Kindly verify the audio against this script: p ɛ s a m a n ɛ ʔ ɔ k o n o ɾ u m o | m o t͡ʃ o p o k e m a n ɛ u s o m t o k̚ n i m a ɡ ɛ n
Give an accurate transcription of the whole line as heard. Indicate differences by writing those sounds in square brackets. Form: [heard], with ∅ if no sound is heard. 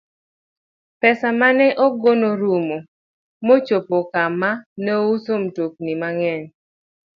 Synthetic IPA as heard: p ɛ s a m a n ɛ ʔ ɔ [ɡ] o n o ɾ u m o | m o t͡ʃ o p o k [a] m a n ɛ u s o m t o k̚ n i m a [ŋ] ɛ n